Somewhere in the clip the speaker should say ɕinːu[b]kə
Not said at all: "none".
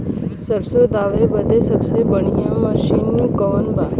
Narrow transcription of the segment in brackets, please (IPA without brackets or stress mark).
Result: none